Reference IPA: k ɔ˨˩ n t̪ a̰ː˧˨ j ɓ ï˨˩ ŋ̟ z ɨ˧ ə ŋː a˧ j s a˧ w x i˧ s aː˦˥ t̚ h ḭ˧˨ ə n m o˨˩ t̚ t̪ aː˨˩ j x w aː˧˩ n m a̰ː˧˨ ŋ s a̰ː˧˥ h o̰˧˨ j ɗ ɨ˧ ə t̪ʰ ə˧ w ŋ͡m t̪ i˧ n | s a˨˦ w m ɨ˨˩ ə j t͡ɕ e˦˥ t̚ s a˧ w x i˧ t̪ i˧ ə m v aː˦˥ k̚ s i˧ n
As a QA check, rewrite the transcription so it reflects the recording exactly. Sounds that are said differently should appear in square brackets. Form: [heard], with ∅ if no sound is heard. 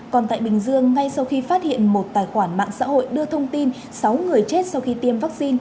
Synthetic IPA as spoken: k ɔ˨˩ n t̪ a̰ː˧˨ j ɓ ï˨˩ ŋ̟ z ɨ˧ ə ŋː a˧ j s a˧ w x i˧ [f] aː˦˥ t̚ h ḭ˧˨ ə n m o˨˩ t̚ t̪ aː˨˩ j x w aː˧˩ n m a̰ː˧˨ ŋ s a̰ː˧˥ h o̰˧˨ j ɗ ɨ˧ ə t̪ʰ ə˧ w ŋ͡m t̪ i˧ n | s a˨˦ w [ŋ] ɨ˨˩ ə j t͡ɕ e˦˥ t̚ s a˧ w x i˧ t̪ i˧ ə m v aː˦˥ k̚ s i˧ n